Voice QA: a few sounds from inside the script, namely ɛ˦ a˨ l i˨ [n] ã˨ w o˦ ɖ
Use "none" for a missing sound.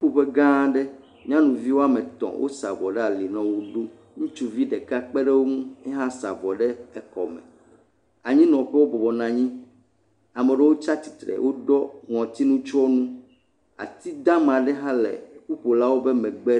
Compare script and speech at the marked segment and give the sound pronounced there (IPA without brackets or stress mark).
n